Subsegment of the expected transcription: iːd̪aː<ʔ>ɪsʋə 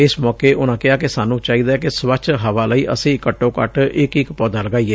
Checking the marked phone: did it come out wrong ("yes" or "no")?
yes